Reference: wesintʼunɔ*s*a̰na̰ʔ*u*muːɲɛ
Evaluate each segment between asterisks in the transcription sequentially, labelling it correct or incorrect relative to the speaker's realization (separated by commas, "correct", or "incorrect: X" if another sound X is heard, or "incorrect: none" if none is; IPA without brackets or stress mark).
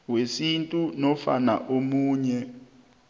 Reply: incorrect: f, incorrect: o